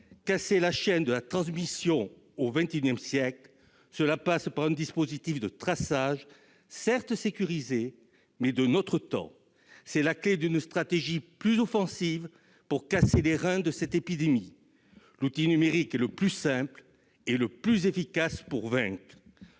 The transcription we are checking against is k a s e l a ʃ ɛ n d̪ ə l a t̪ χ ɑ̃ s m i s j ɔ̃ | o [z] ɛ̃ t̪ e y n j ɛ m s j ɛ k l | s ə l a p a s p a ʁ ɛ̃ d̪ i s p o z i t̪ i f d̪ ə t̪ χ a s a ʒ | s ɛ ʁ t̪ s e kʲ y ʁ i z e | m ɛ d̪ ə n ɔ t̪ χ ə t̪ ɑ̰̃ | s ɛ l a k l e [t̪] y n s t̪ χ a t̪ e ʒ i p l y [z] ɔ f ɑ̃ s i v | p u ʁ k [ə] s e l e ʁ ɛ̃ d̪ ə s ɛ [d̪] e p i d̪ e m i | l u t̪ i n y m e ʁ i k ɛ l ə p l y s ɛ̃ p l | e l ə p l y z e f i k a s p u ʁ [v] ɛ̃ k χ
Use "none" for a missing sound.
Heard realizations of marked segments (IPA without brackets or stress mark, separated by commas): v, d̪, z, a, t̪, v